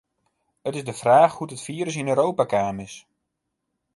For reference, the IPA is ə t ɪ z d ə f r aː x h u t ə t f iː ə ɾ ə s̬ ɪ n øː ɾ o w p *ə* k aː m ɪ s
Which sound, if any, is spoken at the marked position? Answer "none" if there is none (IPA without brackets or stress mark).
a